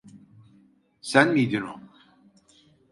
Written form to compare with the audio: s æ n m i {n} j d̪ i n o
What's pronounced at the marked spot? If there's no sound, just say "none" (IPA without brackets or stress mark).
none